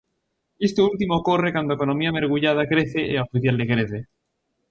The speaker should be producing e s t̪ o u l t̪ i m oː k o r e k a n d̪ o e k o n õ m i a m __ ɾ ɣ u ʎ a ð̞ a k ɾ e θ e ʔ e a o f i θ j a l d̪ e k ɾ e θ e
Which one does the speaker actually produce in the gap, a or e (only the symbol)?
e